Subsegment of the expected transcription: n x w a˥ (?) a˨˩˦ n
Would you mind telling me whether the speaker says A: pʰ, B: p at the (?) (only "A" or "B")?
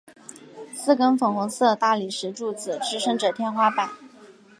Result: B